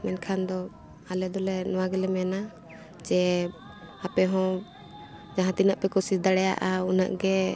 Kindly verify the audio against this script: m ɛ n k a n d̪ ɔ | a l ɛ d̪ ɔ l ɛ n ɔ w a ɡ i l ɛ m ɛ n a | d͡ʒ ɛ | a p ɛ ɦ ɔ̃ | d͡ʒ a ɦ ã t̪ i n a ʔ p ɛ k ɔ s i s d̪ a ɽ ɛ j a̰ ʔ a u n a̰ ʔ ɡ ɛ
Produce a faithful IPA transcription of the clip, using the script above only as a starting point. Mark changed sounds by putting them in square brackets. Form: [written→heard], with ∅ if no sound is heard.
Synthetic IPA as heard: m ɛ n [k→kʰ] a n d̪ ɔ | a l ɛ d̪ ɔ l ɛ n ɔ w a ɡ [i→ɛ] l ɛ m ɛ n a | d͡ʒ ɛ | a p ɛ ɦ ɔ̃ | d͡ʒ a ɦ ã t̪ i n a ʔ p ɛ k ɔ s i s d̪ a ɽ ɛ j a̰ ʔ a u n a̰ ʔ ɡ ɛ